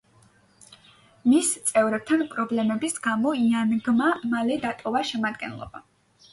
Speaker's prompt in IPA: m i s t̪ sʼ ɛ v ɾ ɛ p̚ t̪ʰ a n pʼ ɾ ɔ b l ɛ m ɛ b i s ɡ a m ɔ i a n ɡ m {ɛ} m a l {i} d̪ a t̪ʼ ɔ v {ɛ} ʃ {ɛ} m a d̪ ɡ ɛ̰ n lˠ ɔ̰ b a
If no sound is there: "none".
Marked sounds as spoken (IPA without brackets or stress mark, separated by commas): a, ɛ, a, ɛ